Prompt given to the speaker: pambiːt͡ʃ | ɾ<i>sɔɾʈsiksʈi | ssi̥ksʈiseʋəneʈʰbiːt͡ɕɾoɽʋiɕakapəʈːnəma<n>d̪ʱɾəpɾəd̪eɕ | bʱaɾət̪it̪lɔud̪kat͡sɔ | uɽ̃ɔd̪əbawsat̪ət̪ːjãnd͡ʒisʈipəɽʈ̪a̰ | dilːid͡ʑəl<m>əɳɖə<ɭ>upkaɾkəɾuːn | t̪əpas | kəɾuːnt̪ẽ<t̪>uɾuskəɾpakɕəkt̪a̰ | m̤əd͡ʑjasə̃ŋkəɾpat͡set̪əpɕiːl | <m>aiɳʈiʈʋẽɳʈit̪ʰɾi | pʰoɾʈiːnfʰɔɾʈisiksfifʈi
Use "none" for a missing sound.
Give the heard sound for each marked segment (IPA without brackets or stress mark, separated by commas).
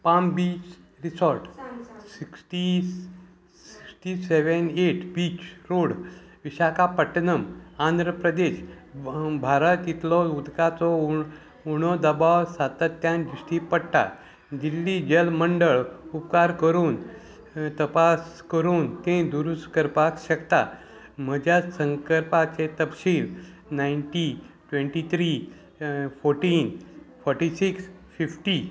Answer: i, n, m, ɭ, d̪, n